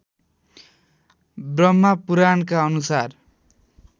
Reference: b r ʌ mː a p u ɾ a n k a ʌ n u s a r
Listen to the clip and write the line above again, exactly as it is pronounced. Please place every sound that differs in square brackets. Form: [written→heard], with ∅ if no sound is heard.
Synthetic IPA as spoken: b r ʌ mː a p u ɾ a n k a ʌ n u s a r